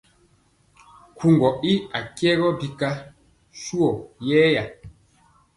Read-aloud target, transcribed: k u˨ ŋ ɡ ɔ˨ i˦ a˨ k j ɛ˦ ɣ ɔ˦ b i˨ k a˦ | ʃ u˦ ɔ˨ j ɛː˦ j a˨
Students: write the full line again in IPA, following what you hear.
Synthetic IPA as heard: k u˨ ŋ ɡ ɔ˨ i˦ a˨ k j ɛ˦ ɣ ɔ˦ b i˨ k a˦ | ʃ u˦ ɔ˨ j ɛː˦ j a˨

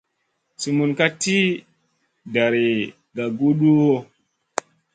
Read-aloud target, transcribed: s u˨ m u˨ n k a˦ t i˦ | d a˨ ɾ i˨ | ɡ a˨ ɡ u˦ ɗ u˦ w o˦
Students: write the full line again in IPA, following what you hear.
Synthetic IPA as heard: s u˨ m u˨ n k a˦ t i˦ | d a˨ ɾ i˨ | ɡ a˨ ɡ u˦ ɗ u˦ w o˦

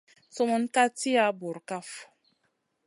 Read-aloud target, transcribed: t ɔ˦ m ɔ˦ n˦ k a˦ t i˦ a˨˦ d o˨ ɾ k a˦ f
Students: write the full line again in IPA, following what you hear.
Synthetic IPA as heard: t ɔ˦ m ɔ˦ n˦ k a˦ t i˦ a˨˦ b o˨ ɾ k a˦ f

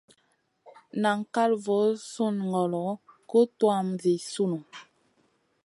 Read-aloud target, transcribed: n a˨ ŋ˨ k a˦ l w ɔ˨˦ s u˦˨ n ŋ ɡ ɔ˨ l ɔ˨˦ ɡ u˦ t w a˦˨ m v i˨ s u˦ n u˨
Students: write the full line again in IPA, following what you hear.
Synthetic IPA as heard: n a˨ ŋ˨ k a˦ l v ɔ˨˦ s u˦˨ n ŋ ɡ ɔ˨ l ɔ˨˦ k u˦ t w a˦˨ m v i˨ s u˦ n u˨

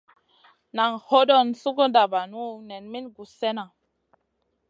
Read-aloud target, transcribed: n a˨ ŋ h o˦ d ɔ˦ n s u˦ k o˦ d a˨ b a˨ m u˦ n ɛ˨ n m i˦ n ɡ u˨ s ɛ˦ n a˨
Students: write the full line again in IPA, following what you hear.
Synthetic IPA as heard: n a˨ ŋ h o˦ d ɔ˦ n s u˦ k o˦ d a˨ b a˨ n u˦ n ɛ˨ n m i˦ n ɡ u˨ s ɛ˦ n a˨

